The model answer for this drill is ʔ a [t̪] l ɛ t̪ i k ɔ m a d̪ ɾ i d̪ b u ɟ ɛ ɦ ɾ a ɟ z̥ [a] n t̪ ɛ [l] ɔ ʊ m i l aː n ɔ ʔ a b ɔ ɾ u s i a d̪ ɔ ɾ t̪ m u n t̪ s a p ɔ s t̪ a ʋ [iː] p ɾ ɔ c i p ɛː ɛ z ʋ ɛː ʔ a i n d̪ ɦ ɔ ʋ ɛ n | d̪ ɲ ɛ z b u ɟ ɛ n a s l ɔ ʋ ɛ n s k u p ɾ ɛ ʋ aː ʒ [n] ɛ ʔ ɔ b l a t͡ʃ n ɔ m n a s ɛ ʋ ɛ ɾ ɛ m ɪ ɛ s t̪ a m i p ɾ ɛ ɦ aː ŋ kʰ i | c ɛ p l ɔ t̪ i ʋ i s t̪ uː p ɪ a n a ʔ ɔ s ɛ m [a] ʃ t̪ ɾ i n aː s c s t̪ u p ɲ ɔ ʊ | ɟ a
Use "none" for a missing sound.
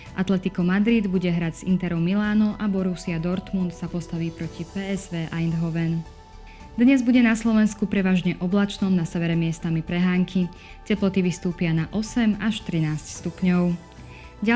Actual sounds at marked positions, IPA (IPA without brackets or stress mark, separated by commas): t̪, i, ɾ, iː, ɲ, a